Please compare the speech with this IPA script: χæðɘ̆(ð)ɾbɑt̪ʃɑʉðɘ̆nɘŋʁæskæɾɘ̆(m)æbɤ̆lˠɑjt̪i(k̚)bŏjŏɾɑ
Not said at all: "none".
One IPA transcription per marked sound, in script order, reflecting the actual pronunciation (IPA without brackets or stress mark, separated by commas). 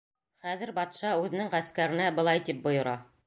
none, n, p̚